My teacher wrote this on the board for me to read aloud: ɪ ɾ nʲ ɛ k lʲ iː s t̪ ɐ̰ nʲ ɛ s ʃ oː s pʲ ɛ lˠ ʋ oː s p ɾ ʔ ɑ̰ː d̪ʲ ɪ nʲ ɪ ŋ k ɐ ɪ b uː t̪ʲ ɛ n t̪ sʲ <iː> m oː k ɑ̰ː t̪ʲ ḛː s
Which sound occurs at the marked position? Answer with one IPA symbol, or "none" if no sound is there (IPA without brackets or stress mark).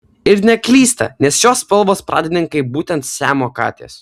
æː